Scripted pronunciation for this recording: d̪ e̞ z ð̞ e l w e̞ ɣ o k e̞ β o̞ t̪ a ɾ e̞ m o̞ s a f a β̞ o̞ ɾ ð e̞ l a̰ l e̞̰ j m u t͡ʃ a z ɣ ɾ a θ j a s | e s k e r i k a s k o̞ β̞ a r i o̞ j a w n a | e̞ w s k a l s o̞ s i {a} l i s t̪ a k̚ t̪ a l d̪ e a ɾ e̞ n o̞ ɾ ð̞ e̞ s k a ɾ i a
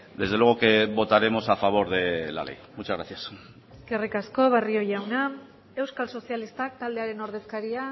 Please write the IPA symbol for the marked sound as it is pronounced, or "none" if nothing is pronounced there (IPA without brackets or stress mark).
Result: a